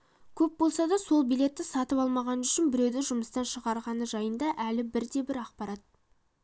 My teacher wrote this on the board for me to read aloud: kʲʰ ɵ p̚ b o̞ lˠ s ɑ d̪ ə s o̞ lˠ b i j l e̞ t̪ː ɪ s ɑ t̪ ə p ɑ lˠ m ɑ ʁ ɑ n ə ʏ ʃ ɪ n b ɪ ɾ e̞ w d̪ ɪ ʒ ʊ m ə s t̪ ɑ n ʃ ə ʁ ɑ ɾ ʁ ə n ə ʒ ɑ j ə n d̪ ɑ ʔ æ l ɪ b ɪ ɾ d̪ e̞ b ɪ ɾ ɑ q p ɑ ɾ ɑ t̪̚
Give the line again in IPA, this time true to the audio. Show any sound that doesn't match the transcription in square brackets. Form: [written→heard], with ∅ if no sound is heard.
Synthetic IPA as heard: kʲʰ ɵ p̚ b o̞ lˠ s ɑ d̪ [ə→ɑ] s o̞ lˠ b i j l e̞ t̪ː ɪ s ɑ t̪ ə p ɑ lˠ m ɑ ʁ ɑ n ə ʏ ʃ ɪ n b ɪ ɾ e̞ w d̪ ɪ ʒ ʊ m ə s t̪ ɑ n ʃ ə ʁ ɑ ɾ ʁ [ə→ɑ] n ə ʒ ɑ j ə n d̪ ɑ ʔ æ l ɪ b ɪ ɾ d̪ e̞ b ɪ ɾ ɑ q p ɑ ɾ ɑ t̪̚